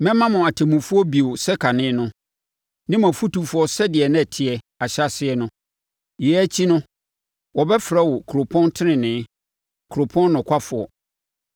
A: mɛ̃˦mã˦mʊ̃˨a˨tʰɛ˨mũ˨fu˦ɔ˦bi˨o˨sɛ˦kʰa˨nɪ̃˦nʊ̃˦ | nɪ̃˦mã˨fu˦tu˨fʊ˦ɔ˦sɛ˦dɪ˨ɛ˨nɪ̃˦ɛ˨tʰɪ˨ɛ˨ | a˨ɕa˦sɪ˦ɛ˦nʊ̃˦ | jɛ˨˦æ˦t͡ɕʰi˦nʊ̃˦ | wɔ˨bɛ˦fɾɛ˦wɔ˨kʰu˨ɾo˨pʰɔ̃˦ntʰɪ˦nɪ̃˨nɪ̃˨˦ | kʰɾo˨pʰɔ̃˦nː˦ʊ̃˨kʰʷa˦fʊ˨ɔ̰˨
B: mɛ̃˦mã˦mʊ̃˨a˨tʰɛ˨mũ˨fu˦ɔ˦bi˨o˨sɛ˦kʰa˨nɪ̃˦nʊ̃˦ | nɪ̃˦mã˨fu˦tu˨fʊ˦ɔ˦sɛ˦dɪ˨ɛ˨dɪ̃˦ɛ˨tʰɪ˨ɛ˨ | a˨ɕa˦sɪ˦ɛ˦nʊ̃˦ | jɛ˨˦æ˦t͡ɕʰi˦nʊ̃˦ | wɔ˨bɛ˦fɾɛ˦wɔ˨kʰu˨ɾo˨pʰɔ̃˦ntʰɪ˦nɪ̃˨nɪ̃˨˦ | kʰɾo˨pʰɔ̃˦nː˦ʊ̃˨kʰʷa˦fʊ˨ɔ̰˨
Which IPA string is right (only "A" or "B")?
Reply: A